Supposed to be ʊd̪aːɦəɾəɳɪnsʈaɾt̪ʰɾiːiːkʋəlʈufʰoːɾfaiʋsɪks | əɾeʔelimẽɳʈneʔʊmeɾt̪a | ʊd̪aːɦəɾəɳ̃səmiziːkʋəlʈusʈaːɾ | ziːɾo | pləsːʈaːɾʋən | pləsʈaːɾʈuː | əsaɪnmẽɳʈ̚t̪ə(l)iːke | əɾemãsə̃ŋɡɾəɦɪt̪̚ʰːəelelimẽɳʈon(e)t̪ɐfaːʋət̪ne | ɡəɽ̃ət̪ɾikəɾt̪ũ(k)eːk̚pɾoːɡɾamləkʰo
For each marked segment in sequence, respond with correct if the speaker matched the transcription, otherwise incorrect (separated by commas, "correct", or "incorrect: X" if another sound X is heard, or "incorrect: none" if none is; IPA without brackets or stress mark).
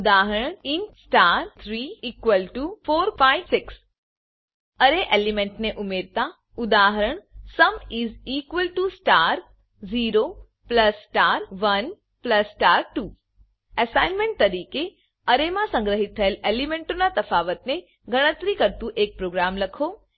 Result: incorrect: ɾ, incorrect: a, incorrect: ʔ